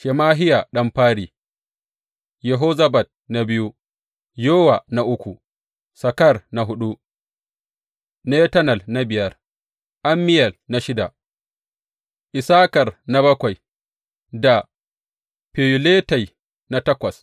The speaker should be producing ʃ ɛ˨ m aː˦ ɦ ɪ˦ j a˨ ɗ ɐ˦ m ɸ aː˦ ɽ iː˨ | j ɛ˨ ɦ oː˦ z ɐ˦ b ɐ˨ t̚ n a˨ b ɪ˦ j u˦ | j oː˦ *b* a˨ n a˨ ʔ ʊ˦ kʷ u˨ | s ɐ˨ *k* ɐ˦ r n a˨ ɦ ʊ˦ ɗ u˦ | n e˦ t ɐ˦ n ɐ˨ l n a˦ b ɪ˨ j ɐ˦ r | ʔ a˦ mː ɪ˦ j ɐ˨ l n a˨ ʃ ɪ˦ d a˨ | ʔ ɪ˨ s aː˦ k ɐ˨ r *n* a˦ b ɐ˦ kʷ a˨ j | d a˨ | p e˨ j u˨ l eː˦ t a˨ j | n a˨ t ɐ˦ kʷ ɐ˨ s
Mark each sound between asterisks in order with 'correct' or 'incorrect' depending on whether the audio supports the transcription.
incorrect: w, correct, correct

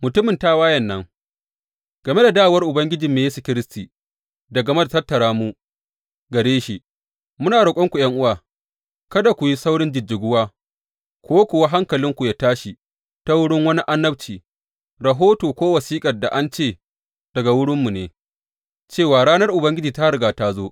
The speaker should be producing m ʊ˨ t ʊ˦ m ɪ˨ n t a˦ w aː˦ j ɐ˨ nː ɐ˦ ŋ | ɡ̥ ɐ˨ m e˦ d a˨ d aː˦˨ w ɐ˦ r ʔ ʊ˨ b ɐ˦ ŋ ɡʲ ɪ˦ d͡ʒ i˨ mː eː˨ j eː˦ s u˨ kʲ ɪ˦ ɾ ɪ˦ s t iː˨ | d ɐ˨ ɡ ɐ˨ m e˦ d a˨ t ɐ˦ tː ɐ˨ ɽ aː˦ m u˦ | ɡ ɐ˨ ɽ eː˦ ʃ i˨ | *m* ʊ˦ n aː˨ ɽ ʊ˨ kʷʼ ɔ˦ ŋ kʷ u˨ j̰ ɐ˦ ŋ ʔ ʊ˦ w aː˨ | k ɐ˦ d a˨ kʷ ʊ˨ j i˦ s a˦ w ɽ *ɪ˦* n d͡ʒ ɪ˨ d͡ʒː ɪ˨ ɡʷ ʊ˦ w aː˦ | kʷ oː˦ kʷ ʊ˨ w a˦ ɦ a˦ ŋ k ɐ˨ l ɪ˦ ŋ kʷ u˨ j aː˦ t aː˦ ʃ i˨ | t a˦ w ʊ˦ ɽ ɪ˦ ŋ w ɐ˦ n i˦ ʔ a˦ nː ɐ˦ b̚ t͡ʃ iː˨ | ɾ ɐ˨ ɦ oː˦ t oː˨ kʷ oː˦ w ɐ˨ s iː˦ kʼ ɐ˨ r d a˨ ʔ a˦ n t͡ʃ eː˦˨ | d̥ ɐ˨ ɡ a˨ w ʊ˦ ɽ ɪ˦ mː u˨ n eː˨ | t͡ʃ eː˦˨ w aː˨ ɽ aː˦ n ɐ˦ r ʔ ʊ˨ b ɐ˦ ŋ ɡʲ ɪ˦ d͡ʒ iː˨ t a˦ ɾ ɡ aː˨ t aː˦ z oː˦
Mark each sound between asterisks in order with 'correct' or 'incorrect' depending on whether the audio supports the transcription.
correct, correct

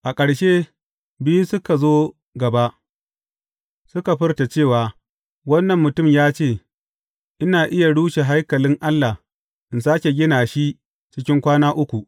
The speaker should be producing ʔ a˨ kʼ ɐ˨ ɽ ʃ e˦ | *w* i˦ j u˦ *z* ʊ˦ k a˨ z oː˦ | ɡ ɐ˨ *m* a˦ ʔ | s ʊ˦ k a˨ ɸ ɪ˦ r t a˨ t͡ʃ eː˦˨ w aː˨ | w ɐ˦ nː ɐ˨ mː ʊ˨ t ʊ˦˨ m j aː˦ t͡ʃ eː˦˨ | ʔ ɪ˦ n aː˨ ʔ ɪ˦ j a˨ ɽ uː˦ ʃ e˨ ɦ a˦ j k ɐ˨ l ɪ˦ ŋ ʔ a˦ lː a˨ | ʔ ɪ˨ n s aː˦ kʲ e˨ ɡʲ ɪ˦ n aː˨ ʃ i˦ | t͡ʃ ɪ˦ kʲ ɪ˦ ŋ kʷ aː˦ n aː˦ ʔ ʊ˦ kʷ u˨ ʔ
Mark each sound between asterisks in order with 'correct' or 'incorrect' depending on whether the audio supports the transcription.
incorrect: b, incorrect: s, incorrect: b

